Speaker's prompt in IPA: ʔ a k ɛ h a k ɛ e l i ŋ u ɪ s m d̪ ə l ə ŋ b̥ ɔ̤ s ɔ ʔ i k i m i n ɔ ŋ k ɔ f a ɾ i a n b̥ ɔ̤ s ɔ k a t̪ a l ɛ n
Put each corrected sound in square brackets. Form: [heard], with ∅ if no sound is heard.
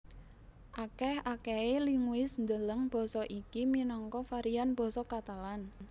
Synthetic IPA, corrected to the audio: ʔ a k ɛ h a k ɛ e l i ŋ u ɪ s [n] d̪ ə l ə ŋ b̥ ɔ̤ s ɔ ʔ i k i m i n ɔ ŋ k ɔ f a ɾ i a n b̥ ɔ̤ s ɔ k a t̪ a l [a] n